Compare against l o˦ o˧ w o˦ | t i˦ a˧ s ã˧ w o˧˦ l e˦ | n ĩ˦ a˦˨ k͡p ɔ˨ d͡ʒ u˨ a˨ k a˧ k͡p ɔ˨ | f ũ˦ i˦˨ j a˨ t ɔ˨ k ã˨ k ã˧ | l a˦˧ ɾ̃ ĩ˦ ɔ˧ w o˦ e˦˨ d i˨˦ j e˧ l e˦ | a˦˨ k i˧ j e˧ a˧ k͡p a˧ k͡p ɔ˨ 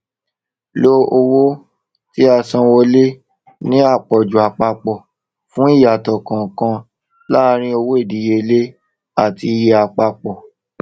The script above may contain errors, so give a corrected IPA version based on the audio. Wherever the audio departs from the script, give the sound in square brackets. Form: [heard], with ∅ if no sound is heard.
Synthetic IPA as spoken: l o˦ o˧ w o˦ | t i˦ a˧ s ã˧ w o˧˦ l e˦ | n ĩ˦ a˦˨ k͡p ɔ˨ d͡ʒ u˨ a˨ [k͡p] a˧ k͡p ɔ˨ | f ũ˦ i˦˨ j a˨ t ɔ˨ k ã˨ k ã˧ | l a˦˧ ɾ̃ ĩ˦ [o˧] w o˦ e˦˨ d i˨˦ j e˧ l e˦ | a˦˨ [t] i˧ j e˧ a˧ k͡p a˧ k͡p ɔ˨